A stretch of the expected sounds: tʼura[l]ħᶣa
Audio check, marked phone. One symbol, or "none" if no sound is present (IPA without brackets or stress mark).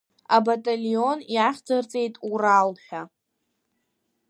l